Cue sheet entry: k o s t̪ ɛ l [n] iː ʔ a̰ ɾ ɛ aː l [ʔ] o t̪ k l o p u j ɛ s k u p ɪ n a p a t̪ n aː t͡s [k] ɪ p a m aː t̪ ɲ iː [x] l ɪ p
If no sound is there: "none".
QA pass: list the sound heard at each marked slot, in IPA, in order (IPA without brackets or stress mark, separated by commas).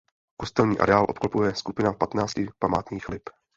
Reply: ɲ, ʔ, c, x